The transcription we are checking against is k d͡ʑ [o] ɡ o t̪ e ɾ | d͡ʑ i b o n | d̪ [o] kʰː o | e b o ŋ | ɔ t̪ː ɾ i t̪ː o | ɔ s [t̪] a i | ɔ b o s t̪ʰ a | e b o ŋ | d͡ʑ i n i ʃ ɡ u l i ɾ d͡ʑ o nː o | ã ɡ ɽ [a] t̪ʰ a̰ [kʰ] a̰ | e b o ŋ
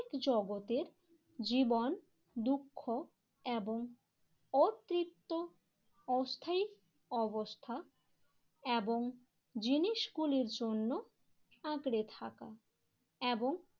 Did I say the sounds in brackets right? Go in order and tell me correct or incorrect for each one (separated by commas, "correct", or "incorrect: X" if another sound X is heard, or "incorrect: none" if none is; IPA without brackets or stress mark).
incorrect: ɔ, incorrect: u, incorrect: t̪ʰ, incorrect: e, incorrect: k